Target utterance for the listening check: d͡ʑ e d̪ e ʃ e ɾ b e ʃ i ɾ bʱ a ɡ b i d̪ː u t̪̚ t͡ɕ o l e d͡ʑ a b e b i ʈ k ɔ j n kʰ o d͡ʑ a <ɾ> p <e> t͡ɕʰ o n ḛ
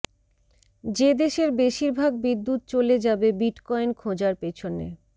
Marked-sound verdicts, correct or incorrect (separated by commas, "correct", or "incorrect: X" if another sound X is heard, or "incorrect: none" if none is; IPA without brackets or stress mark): correct, correct